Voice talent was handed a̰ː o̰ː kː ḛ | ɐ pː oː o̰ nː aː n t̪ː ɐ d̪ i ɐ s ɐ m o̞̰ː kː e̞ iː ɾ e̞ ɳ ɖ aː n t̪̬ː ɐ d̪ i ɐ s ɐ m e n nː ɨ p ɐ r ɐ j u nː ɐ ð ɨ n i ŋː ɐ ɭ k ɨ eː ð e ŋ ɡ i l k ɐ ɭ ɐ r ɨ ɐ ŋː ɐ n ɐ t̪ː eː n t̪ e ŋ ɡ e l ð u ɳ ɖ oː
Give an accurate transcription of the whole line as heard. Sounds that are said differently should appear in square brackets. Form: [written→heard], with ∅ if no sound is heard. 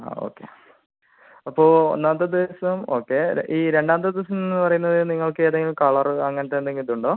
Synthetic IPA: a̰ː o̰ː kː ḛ | ɐ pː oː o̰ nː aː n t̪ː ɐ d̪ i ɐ s ɐ m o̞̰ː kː e̞ iː ɾ e̞ ɳ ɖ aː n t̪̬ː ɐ d̪ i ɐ s ɐ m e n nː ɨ p ɐ r ɐ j u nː ɐ ð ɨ n i ŋː ɐ ɭ k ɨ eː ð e ŋ ɡ i l k ɐ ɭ ɐ r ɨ ɐ ŋː ɐ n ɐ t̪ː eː n [t̪→d̪] e ŋ ɡ [e→i] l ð u ɳ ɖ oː